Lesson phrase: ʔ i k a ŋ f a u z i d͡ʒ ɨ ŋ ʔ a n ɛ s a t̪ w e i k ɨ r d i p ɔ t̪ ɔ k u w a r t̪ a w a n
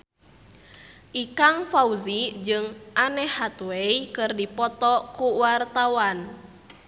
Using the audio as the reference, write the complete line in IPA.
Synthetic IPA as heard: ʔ i k a ŋ f a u z i d͡ʒ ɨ ŋ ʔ a n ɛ h a t̪ w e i k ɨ r d i p ɔ t̪ ɔ k u w a r t̪ a w a n